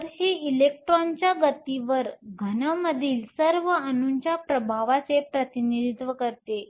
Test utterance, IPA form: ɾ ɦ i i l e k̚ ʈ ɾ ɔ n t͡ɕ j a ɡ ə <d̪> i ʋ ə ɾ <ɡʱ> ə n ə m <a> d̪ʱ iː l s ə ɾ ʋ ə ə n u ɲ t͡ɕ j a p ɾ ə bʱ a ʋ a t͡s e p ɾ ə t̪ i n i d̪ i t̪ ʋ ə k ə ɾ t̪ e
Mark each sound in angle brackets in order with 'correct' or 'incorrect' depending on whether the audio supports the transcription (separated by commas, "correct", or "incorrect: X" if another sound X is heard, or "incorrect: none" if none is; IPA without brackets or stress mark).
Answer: incorrect: t̪, correct, incorrect: ə